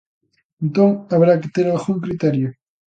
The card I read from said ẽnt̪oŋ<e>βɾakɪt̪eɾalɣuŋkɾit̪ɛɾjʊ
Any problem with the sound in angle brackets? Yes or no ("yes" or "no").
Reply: yes